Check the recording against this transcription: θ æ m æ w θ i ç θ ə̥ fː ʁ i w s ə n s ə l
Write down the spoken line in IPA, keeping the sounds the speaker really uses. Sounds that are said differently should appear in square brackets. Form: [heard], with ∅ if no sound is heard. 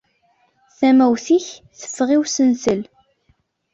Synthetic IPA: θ æ m æ w θ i ç θ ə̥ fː ʁ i w s ə n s ə l